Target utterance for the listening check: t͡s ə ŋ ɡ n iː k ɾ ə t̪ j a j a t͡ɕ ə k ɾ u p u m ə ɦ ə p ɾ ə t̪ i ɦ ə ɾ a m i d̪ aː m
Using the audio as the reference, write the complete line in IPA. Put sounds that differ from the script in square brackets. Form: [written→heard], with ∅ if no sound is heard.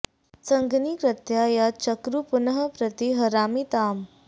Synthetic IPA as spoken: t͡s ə ŋ ɡ n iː k ɾ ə t̪ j a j a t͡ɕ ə k ɾ u p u [m→n] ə ɦ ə p ɾ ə t̪ i ɦ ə ɾ a m i [d̪→t̪] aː m